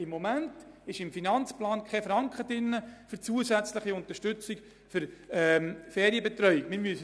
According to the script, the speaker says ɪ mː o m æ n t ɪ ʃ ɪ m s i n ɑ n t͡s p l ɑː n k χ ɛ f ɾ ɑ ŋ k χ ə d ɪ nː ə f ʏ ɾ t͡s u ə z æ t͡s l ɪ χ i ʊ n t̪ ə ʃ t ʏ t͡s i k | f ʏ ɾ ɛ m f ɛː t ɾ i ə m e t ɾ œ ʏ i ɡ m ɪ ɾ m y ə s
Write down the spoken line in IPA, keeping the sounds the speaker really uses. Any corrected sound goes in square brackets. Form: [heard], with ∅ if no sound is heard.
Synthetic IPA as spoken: ɪ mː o m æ n t ɪ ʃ ɪ m [f] i n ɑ n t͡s p l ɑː n k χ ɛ f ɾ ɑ ŋ k χ ə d ɪ nː ə f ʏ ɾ t͡s u ə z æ t͡s l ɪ χ i ʊ n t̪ ə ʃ t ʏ t͡s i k | f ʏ ɾ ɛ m f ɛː [∅] ɾ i ə [b] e t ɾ œ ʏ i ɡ m ɪ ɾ m y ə s